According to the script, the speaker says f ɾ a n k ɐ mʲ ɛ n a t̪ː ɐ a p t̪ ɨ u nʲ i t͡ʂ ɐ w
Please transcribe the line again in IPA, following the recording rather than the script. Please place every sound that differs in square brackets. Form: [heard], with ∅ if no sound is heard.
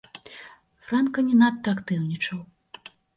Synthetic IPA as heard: f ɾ a n k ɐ [nʲ] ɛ n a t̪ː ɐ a [k] t̪ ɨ [w] nʲ i t͡ʂ ɐ w